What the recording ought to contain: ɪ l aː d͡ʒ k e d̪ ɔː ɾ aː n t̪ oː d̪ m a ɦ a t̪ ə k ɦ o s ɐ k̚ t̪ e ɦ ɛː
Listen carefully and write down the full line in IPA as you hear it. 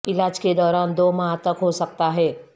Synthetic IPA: ɪ l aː d͡ʒ k e d̪ ɔː ɾ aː n d̪ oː m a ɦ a t̪ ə k ɦ o s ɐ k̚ t̪ a ɦ ɛː